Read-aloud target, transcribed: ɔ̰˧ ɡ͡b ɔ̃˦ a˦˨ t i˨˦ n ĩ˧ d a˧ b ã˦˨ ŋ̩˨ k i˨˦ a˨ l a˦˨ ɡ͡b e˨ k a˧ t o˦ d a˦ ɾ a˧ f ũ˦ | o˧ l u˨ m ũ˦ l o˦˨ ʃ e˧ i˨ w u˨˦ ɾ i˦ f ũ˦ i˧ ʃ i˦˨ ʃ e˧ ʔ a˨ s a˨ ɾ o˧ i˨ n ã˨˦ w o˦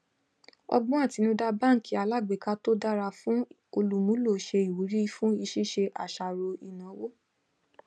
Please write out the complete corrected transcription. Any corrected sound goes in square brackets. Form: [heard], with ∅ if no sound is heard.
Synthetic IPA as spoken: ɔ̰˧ ɡ͡b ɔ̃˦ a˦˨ t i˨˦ n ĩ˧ d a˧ b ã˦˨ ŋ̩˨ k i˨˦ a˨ l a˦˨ ɡ͡b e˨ k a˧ t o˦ d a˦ ɾ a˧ f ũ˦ | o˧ l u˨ m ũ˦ l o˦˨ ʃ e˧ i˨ w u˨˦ ɾ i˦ f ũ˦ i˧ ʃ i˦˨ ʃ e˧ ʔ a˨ [ʃ] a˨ ɾ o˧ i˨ n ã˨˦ w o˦